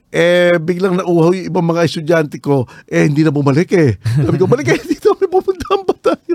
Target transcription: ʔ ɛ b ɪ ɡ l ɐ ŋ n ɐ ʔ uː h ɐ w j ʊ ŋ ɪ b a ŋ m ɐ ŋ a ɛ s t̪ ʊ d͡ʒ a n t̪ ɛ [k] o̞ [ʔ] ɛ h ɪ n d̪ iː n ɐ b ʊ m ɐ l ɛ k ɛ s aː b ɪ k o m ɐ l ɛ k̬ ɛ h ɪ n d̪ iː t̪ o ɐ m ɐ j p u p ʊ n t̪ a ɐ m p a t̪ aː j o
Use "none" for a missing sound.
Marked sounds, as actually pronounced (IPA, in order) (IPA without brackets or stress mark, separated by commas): k, ʔ